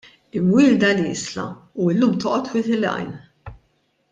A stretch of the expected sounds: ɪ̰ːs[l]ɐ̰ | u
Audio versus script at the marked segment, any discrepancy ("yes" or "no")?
no